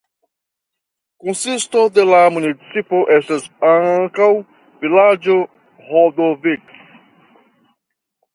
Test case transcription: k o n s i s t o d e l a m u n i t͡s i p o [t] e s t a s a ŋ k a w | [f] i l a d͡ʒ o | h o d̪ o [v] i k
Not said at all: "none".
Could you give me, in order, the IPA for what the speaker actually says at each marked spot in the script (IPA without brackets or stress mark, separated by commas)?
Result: ʔ, v, v